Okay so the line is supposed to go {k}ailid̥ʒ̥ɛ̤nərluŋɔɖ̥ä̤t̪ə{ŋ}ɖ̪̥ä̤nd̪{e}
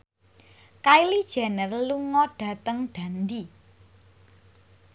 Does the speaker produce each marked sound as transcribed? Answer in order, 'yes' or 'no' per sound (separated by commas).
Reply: yes, yes, no